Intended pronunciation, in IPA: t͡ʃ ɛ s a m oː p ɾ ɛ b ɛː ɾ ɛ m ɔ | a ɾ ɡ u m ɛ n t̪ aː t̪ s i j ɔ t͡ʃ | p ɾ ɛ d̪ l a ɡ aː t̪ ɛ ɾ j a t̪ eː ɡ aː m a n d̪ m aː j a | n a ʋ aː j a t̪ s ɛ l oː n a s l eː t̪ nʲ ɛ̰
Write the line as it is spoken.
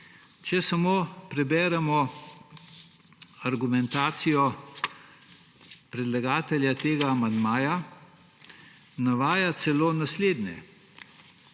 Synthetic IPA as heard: t͡ʃ ɛ s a m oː p ɾ ɛ b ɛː ɾ ɛ m ɔ | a ɾ ɡ u m ɛ n t̪ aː t̪ s i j ɔ | p ɾ ɛ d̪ l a ɡ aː t̪ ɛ l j a t̪ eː ɡ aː m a n d̪ m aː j a | n a ʋ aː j a t̪ s ɛ l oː n a s l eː d̪ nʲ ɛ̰

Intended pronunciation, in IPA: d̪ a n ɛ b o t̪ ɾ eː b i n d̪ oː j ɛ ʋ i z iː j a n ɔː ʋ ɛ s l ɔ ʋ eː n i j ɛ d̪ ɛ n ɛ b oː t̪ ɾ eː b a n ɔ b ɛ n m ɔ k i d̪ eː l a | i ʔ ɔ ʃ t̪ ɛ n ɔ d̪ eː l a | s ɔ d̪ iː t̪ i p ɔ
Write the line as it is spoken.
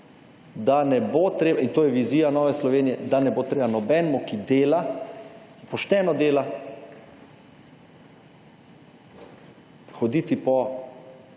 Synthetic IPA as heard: d̪ a n ɛ b o t̪ ɾ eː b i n t̪ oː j ɛ ʋ i z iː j a n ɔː ʋ ɛ s l ɔ ʋ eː n i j ɛ d̪ a n ɛ b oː t̪ ɾ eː b a n ɔ b ɛ n m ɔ k i d̪ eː l a | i p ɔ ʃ t̪ ɛ n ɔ d̪ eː l a | x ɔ d̪ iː t̪ i p ɔ

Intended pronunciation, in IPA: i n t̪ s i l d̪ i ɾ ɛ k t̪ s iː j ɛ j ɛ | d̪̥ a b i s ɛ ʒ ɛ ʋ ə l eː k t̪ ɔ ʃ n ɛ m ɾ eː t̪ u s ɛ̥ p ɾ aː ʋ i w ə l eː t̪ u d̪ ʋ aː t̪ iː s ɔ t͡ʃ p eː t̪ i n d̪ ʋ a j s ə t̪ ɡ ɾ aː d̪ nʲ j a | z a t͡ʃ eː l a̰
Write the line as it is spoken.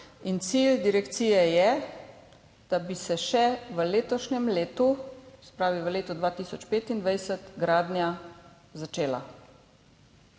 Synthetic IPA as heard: i n t̪ s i l d̪ i ɾ ɛ k t̪ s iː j ɛ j ɛ | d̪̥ a b i s ɛ ʃ ɛ ʋ ə l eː t̪ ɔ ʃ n ɛ m l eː t̪ u s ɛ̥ p ɾ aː ʋ i ʋ ə l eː t̪ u d̪ ʋ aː t̪ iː s ɔ t͡ʃ p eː t̪ i n d̪ ʋ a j s ə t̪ ɡ ɾ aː d̪ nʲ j a | z a t͡ʃ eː l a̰

